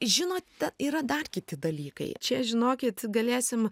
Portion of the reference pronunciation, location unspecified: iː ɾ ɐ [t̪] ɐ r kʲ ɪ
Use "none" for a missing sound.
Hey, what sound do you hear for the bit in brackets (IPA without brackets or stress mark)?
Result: d̪